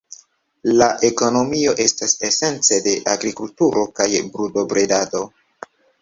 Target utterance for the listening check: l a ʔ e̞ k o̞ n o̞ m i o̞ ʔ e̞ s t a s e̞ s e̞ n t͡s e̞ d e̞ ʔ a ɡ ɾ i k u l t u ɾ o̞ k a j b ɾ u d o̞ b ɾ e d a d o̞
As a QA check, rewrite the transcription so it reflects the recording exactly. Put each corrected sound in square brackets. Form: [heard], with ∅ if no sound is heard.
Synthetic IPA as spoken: l a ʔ e̞ k o̞ n o̞ m i o̞ ʔ e̞ s t a s e̞ s e̞ n t͡s e̞ d e̞ ʔ a ɡ ɾ i k u l t u ɾ o̞ k a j b ɾ u d o̞ b ɾ e d a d o̞